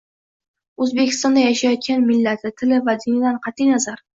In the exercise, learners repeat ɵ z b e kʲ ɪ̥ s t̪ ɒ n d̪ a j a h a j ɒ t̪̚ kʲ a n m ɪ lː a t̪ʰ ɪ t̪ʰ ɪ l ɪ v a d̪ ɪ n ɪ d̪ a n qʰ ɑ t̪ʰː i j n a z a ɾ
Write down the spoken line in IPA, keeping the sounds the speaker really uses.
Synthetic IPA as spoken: ɵ z b e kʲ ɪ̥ s t̪ ɒ n d̪ a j a ʃ a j ɒ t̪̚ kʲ a n m ɪ lː a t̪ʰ ɪ t̪ʰ ɪ l ɪ v a d̪ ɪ n ɪ d̪ a n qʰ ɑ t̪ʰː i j n a z a ɾ